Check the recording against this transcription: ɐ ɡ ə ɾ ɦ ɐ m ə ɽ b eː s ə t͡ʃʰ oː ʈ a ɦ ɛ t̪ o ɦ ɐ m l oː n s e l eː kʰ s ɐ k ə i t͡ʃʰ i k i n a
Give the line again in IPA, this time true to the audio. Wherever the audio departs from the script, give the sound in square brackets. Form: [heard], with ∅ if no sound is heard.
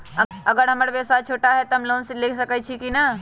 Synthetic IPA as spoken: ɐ ɡ ə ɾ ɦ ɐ m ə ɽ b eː s [a] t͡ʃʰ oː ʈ a ɦ ɛ t̪ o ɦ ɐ m l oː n s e l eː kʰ s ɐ k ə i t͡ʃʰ i k i n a